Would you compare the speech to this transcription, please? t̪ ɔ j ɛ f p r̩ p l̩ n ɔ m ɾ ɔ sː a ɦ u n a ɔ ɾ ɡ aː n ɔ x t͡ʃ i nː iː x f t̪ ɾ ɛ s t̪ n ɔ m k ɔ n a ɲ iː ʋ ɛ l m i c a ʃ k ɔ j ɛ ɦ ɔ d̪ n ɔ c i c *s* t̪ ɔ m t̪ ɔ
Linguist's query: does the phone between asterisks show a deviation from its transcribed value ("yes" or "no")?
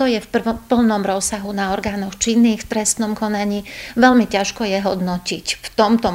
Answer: yes